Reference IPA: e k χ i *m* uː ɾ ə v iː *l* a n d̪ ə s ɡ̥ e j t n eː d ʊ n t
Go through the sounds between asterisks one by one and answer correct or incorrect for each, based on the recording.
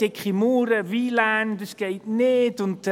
correct, correct

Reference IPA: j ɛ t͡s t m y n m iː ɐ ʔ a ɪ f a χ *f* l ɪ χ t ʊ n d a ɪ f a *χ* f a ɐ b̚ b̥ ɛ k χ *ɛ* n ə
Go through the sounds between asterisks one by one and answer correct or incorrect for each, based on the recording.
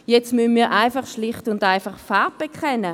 incorrect: ʃ, correct, correct

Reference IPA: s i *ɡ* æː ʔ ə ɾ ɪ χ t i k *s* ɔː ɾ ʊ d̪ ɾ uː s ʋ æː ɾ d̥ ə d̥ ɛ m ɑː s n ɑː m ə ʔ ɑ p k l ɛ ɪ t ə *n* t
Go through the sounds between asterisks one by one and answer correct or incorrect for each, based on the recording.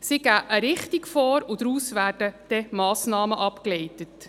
correct, incorrect: f, incorrect: none

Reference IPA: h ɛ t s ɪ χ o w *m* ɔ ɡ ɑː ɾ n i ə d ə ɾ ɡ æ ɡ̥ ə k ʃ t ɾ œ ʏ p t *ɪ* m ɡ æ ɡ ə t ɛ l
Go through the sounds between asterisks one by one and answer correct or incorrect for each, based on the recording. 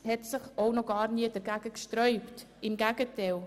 incorrect: n, correct

